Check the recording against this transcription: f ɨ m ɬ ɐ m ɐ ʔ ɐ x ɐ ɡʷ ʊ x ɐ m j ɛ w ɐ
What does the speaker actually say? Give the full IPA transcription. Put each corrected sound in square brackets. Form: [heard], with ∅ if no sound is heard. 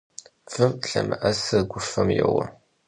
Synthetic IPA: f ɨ m ɬ ɐ m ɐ ʔ ɐ [s] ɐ ɡʷ ʊ [f] ɐ m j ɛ w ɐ